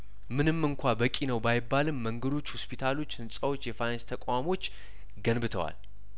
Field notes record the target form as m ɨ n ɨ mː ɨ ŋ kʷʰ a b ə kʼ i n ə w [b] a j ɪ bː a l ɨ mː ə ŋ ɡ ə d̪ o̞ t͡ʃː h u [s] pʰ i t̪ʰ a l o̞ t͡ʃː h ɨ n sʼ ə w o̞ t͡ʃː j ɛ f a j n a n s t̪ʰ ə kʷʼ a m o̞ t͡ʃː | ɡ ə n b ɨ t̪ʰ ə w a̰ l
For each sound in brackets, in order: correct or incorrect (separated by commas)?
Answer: correct, correct